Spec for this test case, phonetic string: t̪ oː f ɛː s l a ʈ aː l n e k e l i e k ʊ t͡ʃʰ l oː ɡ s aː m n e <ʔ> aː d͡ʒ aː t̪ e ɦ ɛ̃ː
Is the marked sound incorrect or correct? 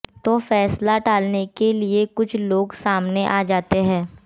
correct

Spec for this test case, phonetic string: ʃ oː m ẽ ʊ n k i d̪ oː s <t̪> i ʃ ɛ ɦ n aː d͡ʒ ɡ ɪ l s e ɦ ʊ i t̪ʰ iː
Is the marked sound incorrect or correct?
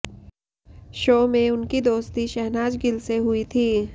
correct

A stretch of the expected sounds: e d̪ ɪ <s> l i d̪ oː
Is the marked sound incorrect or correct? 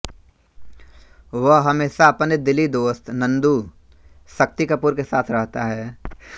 incorrect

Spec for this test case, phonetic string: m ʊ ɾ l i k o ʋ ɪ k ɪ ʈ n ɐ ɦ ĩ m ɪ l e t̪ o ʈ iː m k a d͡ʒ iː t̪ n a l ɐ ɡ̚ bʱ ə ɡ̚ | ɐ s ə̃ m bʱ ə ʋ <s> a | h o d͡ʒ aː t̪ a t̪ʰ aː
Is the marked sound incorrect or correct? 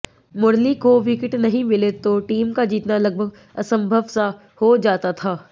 correct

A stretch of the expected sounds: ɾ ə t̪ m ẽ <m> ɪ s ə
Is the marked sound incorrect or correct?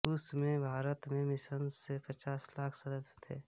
correct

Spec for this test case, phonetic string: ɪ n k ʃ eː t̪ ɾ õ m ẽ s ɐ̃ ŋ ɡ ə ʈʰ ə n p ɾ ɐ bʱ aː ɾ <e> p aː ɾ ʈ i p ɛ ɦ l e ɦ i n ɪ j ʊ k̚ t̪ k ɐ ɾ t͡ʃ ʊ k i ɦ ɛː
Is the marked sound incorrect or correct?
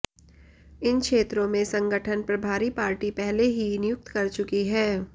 incorrect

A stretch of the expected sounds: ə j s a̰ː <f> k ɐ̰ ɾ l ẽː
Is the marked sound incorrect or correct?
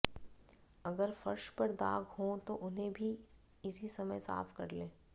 correct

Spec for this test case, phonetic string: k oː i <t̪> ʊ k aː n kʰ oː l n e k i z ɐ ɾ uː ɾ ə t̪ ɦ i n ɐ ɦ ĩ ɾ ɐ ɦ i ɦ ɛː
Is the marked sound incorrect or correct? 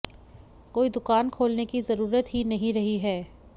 incorrect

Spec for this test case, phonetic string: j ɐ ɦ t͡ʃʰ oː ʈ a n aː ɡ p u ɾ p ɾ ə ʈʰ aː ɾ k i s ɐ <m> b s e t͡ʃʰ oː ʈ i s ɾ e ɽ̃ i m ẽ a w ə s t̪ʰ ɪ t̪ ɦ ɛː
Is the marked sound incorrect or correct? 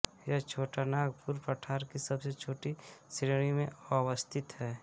incorrect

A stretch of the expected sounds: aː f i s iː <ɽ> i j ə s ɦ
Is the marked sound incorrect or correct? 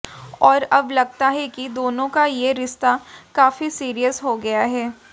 incorrect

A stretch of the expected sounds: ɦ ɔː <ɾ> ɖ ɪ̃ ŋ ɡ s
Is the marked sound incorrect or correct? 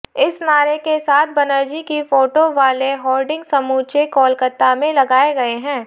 incorrect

